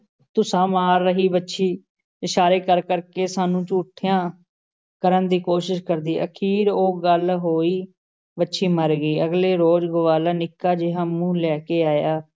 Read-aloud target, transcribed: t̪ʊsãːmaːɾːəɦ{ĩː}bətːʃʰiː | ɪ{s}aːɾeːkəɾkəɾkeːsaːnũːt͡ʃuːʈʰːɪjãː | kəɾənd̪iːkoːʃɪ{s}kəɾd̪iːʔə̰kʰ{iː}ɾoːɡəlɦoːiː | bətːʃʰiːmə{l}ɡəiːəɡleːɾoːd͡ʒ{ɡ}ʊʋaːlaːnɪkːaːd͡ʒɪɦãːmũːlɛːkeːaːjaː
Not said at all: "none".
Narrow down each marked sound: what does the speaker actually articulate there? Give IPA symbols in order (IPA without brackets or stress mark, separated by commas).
iː, ʃ, ʃ, iː, ɾ, ɡ